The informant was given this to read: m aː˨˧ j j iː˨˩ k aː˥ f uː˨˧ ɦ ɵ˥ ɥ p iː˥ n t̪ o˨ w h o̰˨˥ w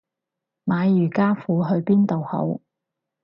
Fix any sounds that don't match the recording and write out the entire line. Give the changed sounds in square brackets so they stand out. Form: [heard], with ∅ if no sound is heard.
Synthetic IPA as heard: m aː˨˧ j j [yː˨˩] k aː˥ f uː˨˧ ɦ [ɵ˧] ɥ p iː˥ n t̪ o˨ w h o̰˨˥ w

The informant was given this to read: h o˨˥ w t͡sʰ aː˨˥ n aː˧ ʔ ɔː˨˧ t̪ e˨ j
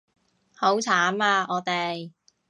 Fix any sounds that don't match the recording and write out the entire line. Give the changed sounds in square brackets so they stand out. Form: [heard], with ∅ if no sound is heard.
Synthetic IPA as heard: h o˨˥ w t͡sʰ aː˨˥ [m] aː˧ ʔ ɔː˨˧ t̪ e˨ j

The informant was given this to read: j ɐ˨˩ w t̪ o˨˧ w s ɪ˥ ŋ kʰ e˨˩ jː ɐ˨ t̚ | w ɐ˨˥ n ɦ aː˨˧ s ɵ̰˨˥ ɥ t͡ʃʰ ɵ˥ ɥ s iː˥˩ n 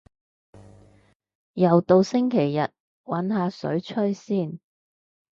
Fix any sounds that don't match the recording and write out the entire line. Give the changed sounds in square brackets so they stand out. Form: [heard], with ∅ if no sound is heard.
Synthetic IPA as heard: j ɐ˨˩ w t̪ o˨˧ w s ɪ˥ ŋ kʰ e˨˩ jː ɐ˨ t̚ | w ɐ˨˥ n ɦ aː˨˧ s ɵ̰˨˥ ɥ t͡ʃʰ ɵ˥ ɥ s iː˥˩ n

